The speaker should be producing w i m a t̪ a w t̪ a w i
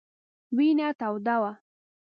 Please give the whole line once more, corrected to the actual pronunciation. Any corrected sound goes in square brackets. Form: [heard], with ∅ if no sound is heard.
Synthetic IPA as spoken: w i [n] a t̪ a w [d̪] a w [a]